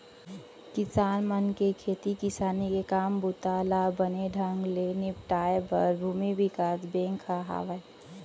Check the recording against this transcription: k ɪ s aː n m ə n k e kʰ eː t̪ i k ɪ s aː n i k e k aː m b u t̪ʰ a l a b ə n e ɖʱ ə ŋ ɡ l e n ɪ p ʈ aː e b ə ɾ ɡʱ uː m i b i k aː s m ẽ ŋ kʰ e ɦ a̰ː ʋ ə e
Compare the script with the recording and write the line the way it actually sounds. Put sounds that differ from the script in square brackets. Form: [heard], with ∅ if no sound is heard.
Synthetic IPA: k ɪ s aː n m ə n k e kʰ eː t̪ i k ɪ s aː n i k e k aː m b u [t̪] a l a b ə n e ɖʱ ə ŋ ɡ l e n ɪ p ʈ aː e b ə ɾ [bʱ] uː m i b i k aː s [b] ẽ ŋ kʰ [a] ɦ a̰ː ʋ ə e